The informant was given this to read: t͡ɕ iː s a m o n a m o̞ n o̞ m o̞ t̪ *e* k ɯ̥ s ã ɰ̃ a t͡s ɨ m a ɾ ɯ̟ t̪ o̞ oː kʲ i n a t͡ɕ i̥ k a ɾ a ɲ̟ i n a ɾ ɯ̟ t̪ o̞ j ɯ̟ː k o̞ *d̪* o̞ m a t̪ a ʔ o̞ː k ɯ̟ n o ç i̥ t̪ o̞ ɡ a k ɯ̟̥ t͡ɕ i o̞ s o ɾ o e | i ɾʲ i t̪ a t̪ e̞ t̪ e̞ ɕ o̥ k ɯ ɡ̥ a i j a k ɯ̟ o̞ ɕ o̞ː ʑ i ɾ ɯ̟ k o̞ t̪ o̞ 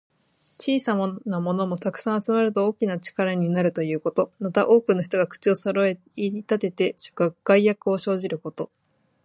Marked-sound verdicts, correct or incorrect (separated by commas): incorrect, incorrect